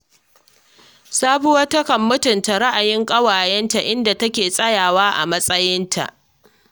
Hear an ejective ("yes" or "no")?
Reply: yes